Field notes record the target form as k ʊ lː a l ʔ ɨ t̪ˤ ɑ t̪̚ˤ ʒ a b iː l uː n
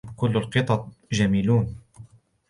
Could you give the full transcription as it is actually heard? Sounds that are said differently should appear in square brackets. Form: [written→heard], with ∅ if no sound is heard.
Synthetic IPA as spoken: k ʊ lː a l [ʔ→q] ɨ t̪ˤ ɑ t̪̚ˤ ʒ a [b→m] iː l uː n